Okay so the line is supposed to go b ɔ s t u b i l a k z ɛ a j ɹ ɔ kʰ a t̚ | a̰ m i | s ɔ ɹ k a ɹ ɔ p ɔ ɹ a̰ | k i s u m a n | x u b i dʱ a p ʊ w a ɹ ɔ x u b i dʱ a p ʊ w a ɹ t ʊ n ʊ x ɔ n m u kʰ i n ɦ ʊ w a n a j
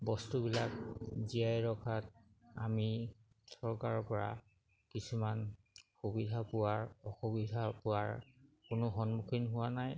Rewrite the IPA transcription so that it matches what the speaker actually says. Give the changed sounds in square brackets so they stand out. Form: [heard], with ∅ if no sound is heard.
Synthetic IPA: b ɔ s t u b i l a k z [i] a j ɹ ɔ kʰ a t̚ | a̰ m i | s ɔ ɹ k a ɹ ɔ p ɔ ɹ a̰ | k i s u m a n | x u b i dʱ a p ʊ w a ɹ ɔ x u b i dʱ a p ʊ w a ɹ [k] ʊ n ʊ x ɔ n m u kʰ i n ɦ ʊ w a n a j